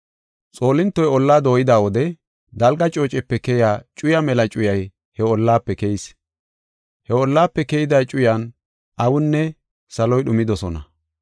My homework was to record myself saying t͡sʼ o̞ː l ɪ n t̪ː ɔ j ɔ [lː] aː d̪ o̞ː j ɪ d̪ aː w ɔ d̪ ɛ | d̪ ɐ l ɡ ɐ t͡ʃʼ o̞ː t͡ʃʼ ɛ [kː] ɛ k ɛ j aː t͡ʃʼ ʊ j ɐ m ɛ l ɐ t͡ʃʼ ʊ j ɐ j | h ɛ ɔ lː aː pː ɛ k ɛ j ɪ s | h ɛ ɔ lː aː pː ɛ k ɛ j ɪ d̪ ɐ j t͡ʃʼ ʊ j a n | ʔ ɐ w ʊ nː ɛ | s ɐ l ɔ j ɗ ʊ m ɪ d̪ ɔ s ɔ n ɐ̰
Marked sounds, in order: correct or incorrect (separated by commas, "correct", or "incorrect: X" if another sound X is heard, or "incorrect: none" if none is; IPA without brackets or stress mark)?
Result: correct, incorrect: pː